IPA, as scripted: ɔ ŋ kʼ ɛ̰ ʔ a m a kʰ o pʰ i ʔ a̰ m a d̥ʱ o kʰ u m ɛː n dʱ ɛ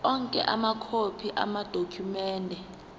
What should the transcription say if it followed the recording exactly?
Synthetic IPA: ɔ ŋ kʼ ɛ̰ ʔ a m a kʰ o pʰ i ʔ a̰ m a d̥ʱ o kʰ u m ɛː n dʱ ɛ